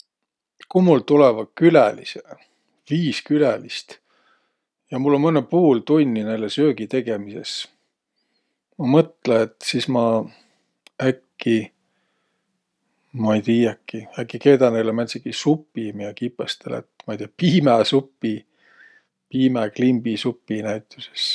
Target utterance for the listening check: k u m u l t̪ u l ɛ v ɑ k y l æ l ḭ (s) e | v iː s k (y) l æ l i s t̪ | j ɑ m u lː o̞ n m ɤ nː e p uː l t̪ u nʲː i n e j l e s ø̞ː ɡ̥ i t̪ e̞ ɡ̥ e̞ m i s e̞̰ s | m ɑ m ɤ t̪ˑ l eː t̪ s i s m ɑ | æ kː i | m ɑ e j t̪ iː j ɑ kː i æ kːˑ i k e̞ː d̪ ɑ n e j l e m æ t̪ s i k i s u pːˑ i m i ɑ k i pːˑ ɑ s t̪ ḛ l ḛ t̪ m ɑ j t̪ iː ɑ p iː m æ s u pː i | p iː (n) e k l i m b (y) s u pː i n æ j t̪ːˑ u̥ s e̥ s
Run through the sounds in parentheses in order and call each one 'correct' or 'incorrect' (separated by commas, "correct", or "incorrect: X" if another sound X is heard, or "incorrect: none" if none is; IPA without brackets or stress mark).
correct, correct, incorrect: m, incorrect: i